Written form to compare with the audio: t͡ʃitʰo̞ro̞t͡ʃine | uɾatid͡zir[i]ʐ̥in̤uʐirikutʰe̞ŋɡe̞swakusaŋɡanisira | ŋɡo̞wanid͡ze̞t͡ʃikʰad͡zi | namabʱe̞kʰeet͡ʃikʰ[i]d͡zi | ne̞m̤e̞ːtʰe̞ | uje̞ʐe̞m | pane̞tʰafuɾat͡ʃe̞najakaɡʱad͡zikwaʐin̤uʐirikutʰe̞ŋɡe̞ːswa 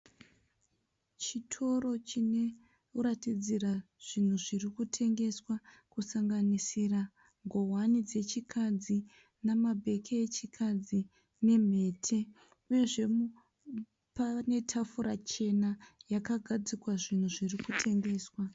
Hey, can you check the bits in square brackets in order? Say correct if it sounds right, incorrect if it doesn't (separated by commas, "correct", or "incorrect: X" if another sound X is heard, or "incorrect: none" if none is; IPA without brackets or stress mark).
incorrect: a, incorrect: a